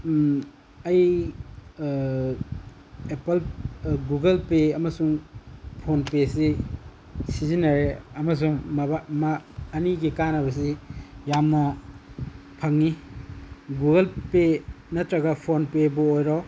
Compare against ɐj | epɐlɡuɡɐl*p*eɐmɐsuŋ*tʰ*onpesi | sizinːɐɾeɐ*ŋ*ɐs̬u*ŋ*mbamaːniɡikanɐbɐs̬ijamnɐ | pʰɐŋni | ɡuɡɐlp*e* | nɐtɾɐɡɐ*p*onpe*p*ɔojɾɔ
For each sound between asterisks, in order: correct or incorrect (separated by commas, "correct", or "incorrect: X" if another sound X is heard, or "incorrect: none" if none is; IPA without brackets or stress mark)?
correct, incorrect: pʰ, incorrect: m, correct, correct, incorrect: pʰ, incorrect: b